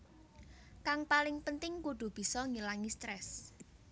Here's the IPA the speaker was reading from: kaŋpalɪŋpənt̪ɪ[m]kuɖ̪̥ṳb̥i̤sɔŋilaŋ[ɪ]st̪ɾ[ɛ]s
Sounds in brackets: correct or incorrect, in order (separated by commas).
incorrect, incorrect, correct